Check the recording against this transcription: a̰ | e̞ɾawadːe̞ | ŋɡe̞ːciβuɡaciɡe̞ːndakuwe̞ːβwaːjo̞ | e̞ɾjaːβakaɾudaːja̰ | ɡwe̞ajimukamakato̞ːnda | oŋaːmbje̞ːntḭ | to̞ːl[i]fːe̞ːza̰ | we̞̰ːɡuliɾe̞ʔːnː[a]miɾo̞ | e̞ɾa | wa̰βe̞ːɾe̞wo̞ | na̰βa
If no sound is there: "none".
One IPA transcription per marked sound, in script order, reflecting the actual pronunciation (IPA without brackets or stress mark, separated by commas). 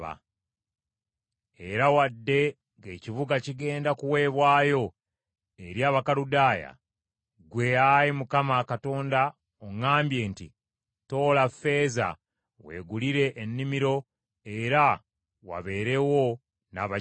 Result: a, i